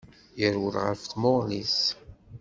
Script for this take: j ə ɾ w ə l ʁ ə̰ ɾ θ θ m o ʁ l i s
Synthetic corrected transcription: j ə ɾ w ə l ʁ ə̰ ɾ f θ m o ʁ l i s